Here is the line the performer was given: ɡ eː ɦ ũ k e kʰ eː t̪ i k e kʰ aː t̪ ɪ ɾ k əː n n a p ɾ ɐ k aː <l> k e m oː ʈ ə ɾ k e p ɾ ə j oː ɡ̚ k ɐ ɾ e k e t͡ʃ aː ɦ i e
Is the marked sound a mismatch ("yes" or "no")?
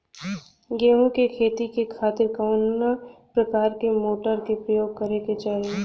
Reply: yes